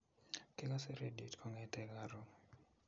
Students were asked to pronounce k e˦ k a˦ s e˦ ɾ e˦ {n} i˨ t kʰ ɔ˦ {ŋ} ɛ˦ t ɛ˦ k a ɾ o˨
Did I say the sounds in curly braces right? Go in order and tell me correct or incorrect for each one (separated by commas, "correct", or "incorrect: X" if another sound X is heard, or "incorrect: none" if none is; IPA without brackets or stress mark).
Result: incorrect: d, correct